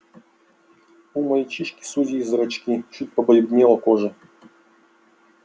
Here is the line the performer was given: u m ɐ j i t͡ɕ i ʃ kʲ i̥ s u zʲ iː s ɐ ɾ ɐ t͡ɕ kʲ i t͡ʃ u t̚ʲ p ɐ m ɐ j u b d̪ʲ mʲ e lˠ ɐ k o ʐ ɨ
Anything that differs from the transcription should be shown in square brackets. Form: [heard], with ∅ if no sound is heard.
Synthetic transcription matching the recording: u m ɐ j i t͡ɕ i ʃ kʲ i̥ s u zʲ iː [z] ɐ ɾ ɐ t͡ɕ kʲ i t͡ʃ u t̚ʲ p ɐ [b] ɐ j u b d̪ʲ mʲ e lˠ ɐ k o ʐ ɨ